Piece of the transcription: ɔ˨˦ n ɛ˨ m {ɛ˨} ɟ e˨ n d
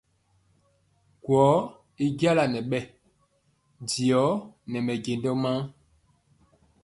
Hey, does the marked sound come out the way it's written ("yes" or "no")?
yes